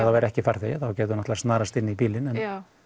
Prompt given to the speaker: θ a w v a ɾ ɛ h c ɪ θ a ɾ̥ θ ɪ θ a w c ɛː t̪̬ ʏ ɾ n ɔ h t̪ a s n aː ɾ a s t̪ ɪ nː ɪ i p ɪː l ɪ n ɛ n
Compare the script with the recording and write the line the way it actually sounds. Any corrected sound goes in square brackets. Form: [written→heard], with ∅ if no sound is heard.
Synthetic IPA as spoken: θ a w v [a→ɛ] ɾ ɛ h c ɪ [θ→f] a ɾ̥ θ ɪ θ a w c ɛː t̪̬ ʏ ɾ n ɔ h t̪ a s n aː ɾ a s t̪ ɪ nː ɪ i p [ɪː→iː] l ɪ n ɛ n